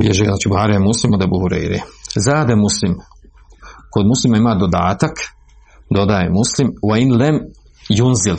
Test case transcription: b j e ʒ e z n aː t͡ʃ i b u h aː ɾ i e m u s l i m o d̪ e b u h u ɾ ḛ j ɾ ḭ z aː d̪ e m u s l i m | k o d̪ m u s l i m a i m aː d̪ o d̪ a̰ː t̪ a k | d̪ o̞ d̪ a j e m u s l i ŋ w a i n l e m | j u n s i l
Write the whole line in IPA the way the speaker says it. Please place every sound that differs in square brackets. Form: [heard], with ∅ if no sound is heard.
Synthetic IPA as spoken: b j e ʒ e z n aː t͡ʃ i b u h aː ɾ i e m u s l i m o d̪ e b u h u ɾ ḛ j ɾ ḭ z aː d̪ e m u s l i m | k o d̪ m u s l i m a i m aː d̪ o d̪ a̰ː t̪ a k | d̪ o̞ d̪ a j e m u s l i [m] w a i n l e m | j u n [z] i l